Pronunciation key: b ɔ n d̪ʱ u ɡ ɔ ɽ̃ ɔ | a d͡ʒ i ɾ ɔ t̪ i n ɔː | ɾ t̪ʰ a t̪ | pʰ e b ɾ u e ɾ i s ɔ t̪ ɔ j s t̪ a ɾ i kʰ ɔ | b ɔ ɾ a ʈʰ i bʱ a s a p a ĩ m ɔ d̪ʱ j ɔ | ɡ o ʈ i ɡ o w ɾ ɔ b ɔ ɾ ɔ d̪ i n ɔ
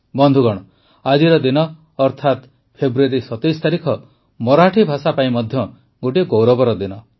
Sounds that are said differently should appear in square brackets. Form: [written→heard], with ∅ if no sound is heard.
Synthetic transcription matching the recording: b ɔ n d̪ʱ u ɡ ɔ ɽ̃ ɔ | a d͡ʒ i ɾ ɔ [t̪→d̪] i n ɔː | ɾ t̪ʰ a t̪ | pʰ e b ɾ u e ɾ i s ɔ t̪ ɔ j s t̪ a ɾ i kʰ ɔ | [b→m] ɔ ɾ a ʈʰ i bʱ a s a p a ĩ m ɔ d̪ʱ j ɔ | ɡ o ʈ i ɡ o w ɾ ɔ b ɔ ɾ ɔ d̪ i n ɔ